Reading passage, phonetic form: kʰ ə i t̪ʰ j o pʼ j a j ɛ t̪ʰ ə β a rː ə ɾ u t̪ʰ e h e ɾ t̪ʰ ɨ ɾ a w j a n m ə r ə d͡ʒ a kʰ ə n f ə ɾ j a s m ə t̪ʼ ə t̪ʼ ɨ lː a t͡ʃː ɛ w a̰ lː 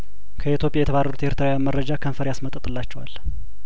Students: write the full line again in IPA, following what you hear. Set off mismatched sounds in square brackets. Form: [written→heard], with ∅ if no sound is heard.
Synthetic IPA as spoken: kʰ ə i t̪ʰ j o pʼ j a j ɛ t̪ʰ ə β a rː ə ɾ u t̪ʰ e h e ɾ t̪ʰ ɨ ɾ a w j a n m ə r ə d͡ʒ a kʰ ə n f ə ɾ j a s m ə t̪ʼ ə t̪ʼ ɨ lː a t͡ʃː ɛ w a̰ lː